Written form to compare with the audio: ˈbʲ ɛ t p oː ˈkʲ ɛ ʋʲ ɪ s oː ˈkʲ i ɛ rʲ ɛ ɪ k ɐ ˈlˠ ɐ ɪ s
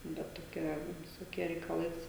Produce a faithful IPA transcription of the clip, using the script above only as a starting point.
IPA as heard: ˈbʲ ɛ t t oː ˈkʲ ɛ ʋʲ ɪ s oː ˈkʲ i ɛ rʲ ɛ ɪ k ɐ ˈlˠ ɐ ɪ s

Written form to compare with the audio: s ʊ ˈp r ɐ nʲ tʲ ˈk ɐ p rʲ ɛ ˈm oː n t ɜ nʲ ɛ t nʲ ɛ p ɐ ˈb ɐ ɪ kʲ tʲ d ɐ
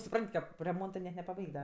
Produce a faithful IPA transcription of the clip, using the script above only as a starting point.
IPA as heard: s ʊ ˈp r ɐ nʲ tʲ ˈk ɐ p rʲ ɛ ˈm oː n t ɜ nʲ ɛ t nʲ ɛ p ɐ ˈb ɐ ɪ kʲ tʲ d ɐ

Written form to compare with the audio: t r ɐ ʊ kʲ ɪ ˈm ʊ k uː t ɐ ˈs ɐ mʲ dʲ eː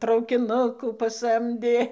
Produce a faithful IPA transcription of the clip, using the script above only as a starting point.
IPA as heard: t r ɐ ʊ kʲ ɪ ˈn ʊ k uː p ɐ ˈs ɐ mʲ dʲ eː

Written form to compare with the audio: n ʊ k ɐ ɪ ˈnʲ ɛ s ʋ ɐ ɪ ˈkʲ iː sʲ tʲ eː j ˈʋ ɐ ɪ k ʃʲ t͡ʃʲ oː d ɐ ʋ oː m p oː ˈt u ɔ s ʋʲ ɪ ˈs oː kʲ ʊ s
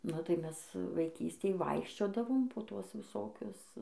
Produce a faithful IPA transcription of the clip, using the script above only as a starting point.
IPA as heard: n ʊ t ɐ ɪ ˈmʲ ɛ s ʋ ɐ ɪ ˈkʲ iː sʲ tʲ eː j ˈʋ ɐ ɪ k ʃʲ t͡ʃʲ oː d ɐ ʋ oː m p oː ˈt u ɔ s ʋʲ ɪ ˈs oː kʲ ʊ s

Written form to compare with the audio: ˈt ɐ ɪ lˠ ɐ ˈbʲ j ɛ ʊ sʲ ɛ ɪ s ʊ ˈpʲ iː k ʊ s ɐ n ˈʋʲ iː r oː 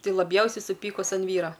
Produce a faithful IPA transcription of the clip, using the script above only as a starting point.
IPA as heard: ˈt ɐ ɪ lˠ ɐ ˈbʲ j ɛ ʊ sʲ ɛ ɪ s ʊ ˈpʲ iː k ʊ s ɐ n ˈʋʲ iː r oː

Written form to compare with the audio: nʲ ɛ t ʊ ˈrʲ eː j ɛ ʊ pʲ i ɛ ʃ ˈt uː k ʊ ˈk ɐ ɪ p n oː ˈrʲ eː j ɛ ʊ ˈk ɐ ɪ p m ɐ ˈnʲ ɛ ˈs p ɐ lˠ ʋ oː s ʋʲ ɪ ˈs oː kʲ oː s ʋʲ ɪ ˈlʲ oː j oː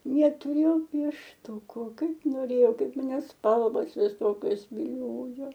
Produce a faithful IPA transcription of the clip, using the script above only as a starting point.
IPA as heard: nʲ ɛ t ʊ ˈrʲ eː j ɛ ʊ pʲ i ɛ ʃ ˈt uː k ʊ ˈk ɐ ɪ p n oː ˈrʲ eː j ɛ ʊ ˈk ɐ ɪ p m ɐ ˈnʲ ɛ ˈs p ɐ lˠ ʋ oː s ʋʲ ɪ ˈs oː kʲ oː s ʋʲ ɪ ˈlʲ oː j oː

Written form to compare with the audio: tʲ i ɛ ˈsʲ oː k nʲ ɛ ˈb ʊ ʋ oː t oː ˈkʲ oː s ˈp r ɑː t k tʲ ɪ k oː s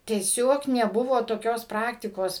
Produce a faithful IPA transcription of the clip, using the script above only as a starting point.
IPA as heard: tʲ i ɛ ˈsʲ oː k nʲ ɛ ˈb ʊ ʋ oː t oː ˈkʲ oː s ˈp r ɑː k tʲ ɪ k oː s

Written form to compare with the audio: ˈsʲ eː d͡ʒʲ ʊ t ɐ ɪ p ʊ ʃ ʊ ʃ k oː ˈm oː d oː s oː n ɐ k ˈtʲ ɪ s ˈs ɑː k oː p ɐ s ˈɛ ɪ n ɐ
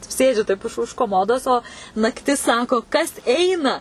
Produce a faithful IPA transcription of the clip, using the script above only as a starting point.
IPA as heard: ˈsʲ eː d͡ʒʲ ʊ t ɐ ɪ p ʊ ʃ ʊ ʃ k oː ˈm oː d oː s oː n ɐ k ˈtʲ ɪ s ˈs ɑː k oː k ɐ s ˈɛ ɪ n ɐ

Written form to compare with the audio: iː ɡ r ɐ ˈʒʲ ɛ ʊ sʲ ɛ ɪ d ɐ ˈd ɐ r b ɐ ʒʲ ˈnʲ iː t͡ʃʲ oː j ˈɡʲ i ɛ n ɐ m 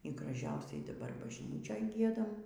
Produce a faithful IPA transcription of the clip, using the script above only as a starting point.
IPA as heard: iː ɡ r ɐ ˈʒʲ ɛ ʊ sʲ ɛ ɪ d ɐ ˈb ɐ r b ɐ ʒʲ ˈnʲ iː t͡ʃʲ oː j ˈɡʲ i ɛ d ɐ m

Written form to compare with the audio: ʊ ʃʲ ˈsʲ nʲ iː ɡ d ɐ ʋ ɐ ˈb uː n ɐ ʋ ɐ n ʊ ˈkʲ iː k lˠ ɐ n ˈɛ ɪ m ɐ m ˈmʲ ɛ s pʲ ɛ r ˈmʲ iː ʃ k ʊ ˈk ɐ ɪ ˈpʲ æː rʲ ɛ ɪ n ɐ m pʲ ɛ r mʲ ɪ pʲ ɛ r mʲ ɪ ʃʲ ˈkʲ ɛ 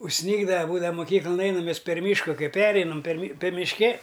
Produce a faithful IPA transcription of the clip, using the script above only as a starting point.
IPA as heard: ʊ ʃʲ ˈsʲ nʲ iː ɡ d ɐ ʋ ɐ ˈb uː d ɐ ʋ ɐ m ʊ ˈkʲ iː k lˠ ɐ n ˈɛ ɪ n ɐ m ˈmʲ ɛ s pʲ ɛ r ˈmʲ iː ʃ k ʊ ˈk ɐ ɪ ˈpʲ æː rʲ ɛ ɪ n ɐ m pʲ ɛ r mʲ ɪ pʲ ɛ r mʲ ɪ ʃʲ ˈkʲ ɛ

